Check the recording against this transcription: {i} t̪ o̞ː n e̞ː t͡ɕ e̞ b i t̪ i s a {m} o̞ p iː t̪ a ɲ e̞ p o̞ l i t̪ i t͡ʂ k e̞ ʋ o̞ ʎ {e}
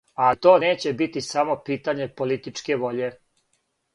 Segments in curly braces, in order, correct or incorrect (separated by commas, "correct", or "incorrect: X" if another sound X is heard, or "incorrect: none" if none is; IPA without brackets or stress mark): incorrect: a, correct, correct